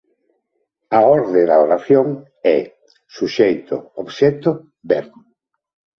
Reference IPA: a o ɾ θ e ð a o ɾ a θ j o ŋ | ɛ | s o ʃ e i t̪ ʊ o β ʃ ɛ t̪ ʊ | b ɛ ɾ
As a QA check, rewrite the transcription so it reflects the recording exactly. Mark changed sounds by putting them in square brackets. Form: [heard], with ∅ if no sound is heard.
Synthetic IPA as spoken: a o ɾ [ð] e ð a o ɾ a θ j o ŋ | ɛ | s [u] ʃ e [j] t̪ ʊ o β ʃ ɛ t̪ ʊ | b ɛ ɾ

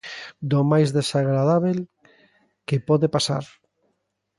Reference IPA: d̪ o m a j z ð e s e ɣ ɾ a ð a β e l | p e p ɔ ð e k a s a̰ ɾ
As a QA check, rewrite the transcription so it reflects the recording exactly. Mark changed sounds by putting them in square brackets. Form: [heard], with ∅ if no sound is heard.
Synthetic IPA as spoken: d̪ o m a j z ð e s [a] ɣ ɾ a ð a β e l | [k] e p ɔ ð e [p] a s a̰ ɾ

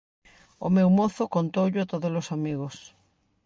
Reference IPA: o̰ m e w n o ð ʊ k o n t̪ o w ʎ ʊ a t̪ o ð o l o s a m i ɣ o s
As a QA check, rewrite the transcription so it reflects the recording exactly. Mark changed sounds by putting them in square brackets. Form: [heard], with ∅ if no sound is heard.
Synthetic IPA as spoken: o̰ m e w [m] o [θ] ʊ k o n t̪ o w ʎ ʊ a t̪ o ð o l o s a m i ɣ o s

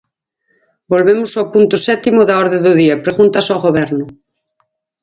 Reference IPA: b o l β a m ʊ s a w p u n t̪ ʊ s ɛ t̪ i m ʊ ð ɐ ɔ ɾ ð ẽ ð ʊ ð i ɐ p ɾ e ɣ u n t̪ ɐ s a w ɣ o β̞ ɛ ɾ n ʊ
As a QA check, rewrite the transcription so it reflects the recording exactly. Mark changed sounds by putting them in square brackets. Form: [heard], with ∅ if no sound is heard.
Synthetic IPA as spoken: b o l β [e] m ʊ s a w p u n t̪ ʊ s ɛ t̪ i m ʊ ð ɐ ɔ ɾ ð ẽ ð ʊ ð i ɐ p ɾ e ɣ u n t̪ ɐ s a w ɣ o β̞ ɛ ɾ n ʊ

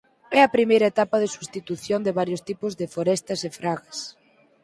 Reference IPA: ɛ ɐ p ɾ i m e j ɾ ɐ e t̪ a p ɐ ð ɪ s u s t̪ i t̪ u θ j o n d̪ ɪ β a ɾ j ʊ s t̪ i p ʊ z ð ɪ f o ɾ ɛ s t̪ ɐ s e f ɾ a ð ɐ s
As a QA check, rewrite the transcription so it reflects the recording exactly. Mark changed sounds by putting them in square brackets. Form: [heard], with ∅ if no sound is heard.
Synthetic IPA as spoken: ɛ ɐ p ɾ i m e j ɾ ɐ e t̪ a p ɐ ð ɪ s u s t̪ i t̪ u θ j o n d̪ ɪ β a ɾ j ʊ s t̪ i p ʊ z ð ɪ f o ɾ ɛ s t̪ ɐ s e f ɾ a [ɣ] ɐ s

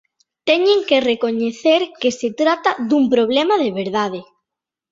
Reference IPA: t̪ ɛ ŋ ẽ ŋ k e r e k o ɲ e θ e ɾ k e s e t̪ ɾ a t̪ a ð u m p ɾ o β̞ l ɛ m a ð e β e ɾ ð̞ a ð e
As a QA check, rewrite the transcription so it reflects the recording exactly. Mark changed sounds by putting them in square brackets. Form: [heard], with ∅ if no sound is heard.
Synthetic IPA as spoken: t̪ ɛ [ɲ] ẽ ŋ k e r e k o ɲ e θ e ɾ k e s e t̪ ɾ a t̪ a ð u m p ɾ o β̞ l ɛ m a ð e β e ɾ ð̞ a ð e

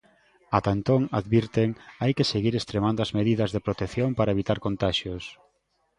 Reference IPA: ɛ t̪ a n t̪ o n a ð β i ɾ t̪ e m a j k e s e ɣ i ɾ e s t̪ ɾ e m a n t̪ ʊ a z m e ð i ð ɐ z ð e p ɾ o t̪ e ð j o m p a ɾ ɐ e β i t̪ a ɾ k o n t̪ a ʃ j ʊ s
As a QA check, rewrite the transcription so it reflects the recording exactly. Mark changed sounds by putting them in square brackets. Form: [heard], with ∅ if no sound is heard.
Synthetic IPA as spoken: [a] t̪ a n t̪ o [ŋ] a ð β i ɾ t̪ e [ŋ] a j k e s e ɣ i ɾ e s t̪ ɾ e m a n [d̪] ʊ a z m e ð i ð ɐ z ð e p ɾ o t̪ e [θ] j o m p a ɾ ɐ e β i t̪ a ɾ k o n t̪ a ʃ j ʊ s

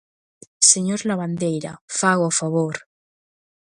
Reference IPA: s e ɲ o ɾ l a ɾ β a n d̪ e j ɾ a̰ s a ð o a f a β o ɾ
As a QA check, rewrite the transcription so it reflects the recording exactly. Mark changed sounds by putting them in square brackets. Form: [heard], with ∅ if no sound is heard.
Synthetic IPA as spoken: s e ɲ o ɾ l a [∅] β a n d̪ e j ɾ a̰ [f] a [ɣ] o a f a β o ɾ

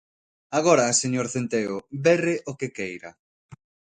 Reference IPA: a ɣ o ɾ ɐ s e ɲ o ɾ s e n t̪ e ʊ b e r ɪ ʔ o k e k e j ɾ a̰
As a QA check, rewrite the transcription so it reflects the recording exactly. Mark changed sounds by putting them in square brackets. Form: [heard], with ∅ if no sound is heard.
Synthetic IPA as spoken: a ɣ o ɾ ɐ s e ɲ o ɾ [θ] e n t̪ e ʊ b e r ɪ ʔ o k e k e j ɾ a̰

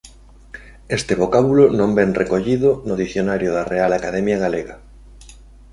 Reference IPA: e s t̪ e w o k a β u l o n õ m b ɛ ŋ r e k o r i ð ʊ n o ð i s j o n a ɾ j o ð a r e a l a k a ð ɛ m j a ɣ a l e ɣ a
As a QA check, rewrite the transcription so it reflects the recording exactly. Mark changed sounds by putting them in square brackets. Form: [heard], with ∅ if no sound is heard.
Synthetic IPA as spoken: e s t̪ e [β] o k a β u l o n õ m b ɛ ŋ r e k o [ʎ] i ð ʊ n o ð i [θ] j o n a ɾ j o ð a r e a l a k a ð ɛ m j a ɣ a l e ɣ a

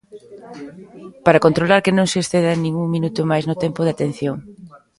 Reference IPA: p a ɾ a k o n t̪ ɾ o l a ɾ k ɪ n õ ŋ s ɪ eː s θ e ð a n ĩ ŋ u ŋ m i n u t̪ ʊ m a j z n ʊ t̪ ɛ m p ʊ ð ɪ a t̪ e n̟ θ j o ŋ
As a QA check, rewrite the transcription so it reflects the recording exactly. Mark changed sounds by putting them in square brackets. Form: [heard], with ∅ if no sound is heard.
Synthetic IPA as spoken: p a ɾ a k o n t̪ ɾ o l a ɾ k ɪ n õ ŋ s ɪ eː s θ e ð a n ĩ ŋ u ŋ m i n u t̪ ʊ m a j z n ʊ t̪ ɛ m p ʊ ð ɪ a t̪ e n̟ θ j o ŋ

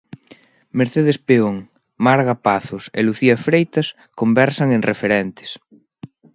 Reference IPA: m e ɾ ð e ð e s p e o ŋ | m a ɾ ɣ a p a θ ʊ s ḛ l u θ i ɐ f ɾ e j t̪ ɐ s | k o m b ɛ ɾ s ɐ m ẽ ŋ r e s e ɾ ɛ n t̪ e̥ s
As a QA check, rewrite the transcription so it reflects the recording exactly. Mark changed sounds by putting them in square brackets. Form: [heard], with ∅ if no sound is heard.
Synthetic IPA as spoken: m e ɾ [θ] e ð e s p e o ŋ | m a ɾ ɣ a p a θ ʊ s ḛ l u θ i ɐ f ɾ e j t̪ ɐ s | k o m b ɛ ɾ s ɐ [ŋ] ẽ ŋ r e [f] e ɾ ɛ n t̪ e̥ s

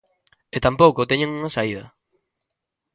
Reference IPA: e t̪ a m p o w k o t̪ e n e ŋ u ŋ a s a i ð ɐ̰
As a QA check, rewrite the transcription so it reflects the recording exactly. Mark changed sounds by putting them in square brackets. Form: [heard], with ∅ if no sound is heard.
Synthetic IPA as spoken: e t̪ a m p o w k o t̪ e [ɲ] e ŋ u ŋ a s a i ð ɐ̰

